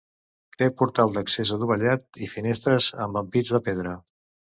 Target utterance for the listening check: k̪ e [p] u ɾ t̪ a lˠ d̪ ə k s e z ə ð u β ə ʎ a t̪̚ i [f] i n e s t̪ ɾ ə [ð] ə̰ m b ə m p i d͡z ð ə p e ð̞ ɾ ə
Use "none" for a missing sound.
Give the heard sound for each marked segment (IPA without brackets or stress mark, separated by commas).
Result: p, f, z